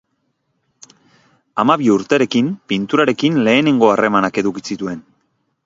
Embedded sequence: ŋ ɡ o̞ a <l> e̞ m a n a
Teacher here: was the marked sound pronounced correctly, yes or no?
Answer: no